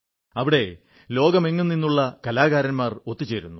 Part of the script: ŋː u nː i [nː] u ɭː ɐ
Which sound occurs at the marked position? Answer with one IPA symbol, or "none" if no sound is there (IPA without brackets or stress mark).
nː